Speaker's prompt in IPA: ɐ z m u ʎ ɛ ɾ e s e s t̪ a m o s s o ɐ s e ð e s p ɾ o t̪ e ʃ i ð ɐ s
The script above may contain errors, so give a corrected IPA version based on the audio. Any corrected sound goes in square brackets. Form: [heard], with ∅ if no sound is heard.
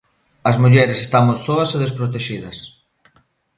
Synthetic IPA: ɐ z m u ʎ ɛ ɾ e s e s t̪ a m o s s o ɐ s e ð e s p ɾ o t̪ e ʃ i ð ɐ s